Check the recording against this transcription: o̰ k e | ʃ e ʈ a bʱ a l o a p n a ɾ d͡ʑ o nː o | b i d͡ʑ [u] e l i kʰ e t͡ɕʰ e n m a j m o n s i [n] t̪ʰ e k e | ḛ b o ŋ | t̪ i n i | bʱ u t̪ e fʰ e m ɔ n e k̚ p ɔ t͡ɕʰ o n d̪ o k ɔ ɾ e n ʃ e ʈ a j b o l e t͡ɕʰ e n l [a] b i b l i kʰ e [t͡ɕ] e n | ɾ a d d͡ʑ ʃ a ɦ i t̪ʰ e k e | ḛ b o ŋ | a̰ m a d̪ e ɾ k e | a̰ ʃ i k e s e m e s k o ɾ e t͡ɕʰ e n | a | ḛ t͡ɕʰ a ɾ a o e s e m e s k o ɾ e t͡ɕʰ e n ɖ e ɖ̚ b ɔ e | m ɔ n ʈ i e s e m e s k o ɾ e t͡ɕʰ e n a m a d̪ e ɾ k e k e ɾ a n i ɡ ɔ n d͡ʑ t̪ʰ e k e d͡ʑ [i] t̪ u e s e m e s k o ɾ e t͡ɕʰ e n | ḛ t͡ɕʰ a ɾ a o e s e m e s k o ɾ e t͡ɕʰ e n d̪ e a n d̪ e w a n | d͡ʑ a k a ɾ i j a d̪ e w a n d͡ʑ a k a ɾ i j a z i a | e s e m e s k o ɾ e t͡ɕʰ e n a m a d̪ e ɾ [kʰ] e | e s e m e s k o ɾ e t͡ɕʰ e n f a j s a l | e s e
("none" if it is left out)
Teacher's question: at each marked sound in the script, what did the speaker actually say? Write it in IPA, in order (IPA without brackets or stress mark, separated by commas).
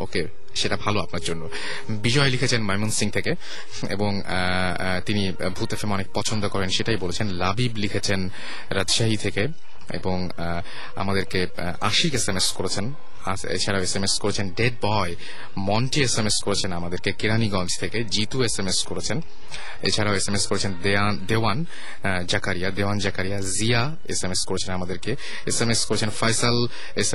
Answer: ɔ, ŋ, a, t͡ɕʰ, i, k